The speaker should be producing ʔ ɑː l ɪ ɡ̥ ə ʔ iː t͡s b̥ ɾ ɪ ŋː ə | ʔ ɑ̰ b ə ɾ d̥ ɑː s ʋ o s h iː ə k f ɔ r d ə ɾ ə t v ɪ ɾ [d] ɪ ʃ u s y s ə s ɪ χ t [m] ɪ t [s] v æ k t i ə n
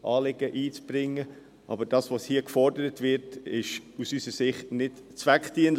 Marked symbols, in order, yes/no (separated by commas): no, no, no